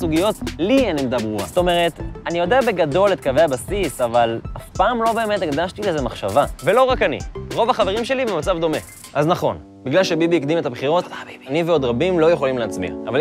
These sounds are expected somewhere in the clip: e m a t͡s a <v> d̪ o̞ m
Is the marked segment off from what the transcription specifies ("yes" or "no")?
no